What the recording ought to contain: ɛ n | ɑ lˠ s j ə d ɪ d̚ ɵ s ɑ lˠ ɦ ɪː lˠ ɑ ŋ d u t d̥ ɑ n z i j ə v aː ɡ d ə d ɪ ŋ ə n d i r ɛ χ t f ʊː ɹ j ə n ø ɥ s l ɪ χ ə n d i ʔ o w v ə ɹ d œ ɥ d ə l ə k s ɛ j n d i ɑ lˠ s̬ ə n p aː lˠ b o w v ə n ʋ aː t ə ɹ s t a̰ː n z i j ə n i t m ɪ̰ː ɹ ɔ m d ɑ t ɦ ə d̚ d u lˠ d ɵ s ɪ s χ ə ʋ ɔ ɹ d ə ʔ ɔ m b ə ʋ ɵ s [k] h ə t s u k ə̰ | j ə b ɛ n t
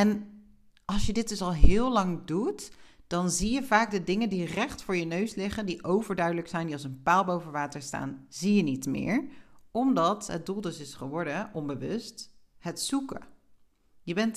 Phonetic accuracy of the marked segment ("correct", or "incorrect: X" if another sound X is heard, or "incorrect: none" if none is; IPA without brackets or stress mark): incorrect: t